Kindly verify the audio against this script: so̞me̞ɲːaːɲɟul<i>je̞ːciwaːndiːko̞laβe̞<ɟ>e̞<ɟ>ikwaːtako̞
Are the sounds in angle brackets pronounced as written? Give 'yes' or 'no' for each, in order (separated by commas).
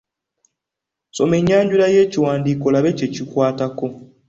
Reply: no, no, no